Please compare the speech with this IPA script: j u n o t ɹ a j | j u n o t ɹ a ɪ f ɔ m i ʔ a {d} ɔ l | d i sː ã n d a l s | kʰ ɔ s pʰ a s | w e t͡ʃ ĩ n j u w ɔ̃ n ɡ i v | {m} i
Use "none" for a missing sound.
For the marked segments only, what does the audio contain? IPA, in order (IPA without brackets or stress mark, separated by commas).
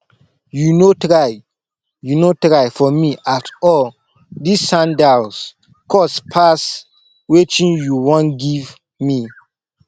t, m